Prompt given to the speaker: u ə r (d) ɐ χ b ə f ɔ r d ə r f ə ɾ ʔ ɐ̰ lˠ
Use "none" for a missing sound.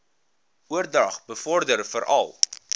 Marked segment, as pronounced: d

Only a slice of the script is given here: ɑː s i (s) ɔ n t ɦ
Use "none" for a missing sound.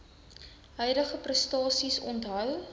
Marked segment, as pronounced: s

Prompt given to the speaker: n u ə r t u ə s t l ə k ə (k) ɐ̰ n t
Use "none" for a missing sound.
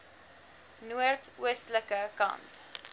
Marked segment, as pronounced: k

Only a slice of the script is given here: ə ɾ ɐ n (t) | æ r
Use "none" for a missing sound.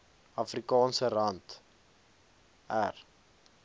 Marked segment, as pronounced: t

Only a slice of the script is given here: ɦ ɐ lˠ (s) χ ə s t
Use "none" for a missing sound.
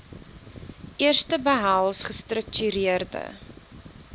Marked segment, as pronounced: s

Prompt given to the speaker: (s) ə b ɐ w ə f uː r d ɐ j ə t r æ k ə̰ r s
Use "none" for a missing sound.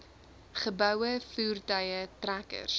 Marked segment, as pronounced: χ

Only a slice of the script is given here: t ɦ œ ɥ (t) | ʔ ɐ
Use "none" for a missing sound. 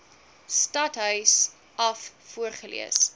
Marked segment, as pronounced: s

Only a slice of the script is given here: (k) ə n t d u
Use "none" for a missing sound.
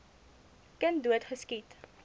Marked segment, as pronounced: k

